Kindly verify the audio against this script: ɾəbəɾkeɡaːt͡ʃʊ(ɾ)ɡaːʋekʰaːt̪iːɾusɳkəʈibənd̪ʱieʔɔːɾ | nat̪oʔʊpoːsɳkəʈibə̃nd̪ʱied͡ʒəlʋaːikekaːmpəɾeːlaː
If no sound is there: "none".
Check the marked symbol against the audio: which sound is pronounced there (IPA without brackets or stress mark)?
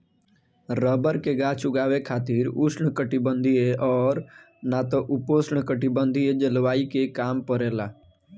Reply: none